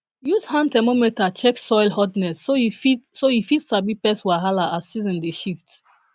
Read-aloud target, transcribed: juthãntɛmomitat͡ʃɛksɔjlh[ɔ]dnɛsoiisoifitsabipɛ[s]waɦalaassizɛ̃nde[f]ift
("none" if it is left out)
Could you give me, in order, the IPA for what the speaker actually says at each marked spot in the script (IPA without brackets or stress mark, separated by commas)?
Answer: ɔ, s, ʃ